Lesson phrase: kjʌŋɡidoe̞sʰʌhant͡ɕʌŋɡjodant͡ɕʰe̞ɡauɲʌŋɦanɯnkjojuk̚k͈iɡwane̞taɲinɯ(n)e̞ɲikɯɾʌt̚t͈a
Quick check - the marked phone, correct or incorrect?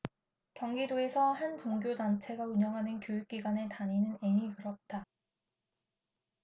correct